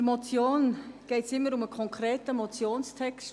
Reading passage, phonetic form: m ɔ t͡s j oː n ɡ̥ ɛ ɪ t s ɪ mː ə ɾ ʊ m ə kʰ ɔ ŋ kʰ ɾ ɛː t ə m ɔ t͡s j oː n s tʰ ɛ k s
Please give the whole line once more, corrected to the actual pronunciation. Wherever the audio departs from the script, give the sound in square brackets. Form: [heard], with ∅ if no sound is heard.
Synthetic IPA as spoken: m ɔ t͡s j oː n ɡ̥ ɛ ɪ t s ɪ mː ə ɾ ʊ m ə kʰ ɔ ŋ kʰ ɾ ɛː t ə m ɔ t͡s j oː n s tʰ ɛ k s